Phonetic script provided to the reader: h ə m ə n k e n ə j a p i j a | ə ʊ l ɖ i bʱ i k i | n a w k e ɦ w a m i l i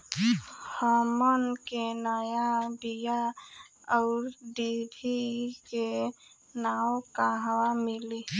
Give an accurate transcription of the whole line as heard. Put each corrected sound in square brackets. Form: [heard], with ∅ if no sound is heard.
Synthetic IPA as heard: h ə m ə n k e n ə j a [b] i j a | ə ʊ [ɾ] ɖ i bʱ i k [e] | n a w k [a] ɦ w a m i l i